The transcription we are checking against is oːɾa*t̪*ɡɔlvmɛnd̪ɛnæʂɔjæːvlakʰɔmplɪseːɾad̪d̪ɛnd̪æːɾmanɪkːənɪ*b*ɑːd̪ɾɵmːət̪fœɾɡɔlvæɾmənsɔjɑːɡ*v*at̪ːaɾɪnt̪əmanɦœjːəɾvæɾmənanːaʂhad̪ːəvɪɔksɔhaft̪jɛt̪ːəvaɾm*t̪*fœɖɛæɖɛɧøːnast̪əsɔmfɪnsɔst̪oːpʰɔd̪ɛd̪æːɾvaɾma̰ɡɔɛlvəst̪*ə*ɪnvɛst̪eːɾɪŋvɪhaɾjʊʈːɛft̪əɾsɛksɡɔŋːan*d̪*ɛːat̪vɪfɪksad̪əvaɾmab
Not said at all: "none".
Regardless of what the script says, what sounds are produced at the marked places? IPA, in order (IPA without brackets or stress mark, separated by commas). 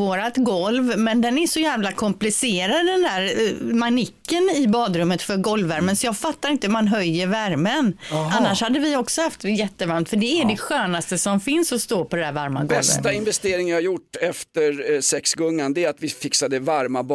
t̪, b, f, t̪, a, d̪